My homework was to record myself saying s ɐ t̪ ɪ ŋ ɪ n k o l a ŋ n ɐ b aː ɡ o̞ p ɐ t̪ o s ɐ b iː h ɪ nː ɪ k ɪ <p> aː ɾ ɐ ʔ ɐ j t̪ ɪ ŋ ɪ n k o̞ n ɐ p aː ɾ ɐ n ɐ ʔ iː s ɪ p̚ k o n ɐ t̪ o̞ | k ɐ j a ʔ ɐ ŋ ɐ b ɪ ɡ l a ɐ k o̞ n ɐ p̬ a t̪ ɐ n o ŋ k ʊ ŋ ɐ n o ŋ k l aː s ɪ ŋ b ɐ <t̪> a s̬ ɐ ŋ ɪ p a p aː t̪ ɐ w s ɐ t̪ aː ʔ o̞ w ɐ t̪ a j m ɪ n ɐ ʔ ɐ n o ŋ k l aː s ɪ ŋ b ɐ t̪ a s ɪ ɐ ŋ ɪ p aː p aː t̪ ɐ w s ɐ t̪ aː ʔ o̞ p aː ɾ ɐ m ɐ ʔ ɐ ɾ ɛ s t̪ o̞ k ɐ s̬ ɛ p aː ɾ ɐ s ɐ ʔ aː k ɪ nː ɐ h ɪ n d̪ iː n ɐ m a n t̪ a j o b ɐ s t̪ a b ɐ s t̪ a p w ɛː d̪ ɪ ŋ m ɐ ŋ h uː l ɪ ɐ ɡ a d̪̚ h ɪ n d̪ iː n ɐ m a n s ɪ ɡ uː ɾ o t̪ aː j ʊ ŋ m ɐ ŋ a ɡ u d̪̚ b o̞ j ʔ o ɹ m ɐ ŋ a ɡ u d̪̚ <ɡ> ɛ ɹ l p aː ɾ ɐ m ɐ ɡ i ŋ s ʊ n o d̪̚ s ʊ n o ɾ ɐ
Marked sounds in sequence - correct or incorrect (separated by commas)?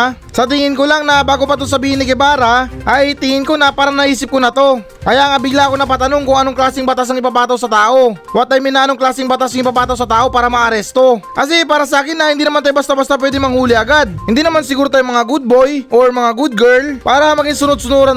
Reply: incorrect, correct, correct